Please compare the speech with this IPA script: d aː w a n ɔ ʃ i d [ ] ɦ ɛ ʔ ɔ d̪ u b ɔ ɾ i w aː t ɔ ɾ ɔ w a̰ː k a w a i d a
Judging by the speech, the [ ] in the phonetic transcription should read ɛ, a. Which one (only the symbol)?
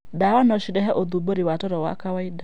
ɛ